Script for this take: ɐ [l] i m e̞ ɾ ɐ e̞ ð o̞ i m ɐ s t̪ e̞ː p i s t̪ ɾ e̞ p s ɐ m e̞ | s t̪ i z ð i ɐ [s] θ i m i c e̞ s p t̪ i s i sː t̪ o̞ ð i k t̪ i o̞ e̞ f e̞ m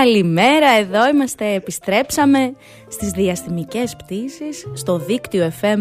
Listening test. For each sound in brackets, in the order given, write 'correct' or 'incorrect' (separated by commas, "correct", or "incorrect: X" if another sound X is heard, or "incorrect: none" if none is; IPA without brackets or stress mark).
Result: correct, correct